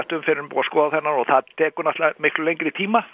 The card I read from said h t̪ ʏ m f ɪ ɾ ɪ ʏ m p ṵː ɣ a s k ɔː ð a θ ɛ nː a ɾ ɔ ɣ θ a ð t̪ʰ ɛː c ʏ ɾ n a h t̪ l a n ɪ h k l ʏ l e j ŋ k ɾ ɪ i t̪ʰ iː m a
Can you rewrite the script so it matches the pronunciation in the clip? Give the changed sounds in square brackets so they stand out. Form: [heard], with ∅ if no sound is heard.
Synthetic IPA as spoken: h t̪ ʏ m f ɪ ɾ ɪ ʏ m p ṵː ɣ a s k ɔː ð a θ ɛ nː a ɾ ɔ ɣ θ a ð t̪ʰ ɛː [k] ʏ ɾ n a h t̪ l a [m] ɪ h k l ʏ l e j ŋ k ɾ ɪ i t̪ʰ iː m a